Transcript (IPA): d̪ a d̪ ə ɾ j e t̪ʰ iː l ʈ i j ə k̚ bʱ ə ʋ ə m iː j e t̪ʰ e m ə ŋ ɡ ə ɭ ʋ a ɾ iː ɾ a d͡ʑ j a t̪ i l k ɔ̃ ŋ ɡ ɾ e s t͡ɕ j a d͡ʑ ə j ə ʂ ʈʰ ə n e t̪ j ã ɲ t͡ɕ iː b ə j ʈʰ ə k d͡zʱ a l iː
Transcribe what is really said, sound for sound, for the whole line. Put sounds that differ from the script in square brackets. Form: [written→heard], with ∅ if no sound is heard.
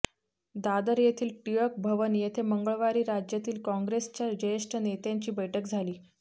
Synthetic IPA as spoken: d̪ a d̪ ə ɾ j e t̪ʰ iː l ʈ i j ə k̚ bʱ ə ʋ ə [m→n] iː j e t̪ʰ e m ə ŋ ɡ ə ɭ ʋ a ɾ iː ɾ a d͡ʑ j a t̪ [i→iː] l k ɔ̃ ŋ ɡ ɾ e s t͡ɕ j a d͡ʑ ə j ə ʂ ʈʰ ə n e t̪ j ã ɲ t͡ɕ iː b ə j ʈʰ ə k d͡zʱ a l iː